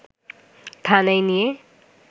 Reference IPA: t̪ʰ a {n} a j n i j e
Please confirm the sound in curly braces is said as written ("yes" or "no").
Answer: yes